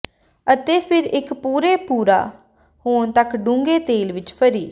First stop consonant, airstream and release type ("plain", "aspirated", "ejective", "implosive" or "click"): plain